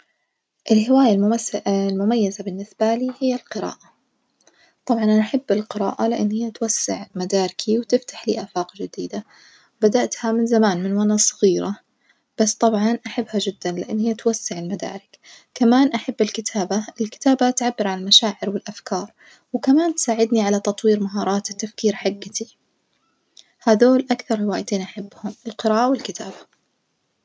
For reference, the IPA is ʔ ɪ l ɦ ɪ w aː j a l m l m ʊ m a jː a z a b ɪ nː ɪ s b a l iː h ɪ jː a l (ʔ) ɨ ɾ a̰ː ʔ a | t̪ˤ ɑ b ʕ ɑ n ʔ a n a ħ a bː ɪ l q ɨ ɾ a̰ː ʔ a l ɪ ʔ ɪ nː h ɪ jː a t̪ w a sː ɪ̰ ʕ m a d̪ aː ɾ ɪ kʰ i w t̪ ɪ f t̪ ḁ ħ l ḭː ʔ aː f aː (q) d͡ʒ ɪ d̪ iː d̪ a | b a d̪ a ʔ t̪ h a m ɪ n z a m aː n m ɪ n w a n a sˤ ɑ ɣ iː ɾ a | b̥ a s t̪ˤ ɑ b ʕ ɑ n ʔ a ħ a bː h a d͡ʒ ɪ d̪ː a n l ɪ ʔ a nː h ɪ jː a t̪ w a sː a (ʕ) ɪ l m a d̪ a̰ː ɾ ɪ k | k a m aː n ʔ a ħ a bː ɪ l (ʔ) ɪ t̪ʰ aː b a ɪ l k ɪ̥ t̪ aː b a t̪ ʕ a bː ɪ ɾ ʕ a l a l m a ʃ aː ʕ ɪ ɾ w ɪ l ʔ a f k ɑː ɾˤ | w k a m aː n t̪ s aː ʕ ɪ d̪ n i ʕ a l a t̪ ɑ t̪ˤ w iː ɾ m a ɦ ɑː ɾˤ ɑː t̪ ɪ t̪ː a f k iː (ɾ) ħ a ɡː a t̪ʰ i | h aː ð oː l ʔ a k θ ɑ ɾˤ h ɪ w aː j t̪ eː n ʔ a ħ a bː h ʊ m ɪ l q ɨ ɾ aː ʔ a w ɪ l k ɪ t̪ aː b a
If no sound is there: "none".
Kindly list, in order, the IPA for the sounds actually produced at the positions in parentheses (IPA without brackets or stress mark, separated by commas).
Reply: q, q, ʕ, k, ɾ